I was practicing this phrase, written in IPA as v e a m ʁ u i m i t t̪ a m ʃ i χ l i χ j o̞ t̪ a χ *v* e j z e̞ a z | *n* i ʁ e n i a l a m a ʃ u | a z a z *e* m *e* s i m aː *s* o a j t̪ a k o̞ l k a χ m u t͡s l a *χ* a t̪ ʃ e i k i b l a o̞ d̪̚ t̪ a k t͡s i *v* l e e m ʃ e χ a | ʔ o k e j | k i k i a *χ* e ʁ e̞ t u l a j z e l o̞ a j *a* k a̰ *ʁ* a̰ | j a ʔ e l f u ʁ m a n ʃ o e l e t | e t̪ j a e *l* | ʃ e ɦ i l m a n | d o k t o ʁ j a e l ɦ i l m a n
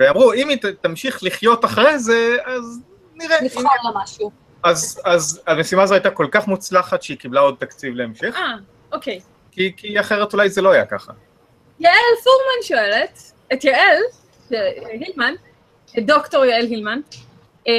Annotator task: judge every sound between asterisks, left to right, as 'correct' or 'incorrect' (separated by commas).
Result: incorrect, correct, incorrect, correct, incorrect, correct, correct, correct, correct, incorrect, correct